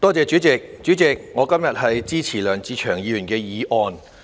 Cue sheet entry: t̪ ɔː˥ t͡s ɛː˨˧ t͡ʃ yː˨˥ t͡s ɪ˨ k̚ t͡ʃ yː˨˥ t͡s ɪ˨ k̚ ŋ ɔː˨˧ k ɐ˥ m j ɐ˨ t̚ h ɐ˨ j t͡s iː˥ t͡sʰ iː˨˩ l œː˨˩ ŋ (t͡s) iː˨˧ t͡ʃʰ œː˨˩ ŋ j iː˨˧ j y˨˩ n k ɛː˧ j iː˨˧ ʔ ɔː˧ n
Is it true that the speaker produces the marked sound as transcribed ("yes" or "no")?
yes